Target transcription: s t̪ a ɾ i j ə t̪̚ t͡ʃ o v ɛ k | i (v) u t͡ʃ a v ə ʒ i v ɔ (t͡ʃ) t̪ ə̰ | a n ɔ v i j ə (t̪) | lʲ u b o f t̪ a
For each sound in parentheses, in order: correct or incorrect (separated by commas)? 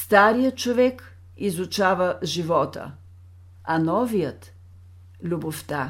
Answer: incorrect, incorrect, correct